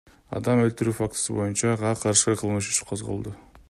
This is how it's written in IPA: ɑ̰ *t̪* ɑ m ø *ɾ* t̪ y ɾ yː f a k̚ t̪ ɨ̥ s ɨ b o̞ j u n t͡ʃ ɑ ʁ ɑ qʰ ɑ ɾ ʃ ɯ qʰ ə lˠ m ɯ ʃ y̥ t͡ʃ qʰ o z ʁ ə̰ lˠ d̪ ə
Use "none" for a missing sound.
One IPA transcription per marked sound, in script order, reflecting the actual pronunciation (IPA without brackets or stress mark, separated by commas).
d̪, l